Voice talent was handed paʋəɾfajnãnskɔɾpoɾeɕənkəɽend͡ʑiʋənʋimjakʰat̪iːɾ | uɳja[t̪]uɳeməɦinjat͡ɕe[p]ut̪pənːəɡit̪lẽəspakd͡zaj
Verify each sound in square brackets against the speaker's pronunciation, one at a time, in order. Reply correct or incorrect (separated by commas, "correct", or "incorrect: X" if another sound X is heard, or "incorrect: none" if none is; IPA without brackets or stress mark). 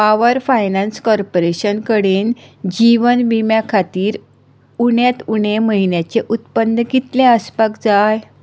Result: correct, incorrect: ʔ